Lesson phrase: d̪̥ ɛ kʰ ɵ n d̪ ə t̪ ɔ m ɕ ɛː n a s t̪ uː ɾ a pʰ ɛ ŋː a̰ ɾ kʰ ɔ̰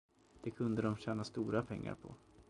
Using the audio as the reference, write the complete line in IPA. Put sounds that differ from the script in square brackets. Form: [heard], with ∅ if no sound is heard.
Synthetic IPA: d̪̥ ɛ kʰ ɵ n d̪ ə [d̪] ɔ m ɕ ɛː n a s t̪ uː ɾ a pʰ ɛ ŋː a̰ ɾ [pʰ] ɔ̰